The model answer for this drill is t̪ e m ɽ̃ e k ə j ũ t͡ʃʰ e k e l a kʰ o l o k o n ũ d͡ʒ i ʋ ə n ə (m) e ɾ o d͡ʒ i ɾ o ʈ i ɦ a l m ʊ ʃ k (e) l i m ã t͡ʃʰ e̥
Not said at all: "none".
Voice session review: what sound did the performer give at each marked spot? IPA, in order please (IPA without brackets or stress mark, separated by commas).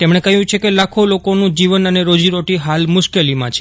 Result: n, e